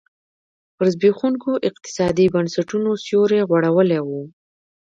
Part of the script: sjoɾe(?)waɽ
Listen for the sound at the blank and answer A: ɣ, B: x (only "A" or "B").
A